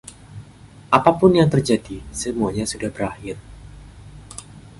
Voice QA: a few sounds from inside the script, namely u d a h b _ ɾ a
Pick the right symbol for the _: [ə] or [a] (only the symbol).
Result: ə